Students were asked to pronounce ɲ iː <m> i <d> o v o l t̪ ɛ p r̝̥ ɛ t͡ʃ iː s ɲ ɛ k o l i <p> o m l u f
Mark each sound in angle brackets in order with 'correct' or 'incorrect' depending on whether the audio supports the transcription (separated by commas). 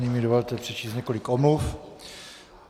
correct, correct, incorrect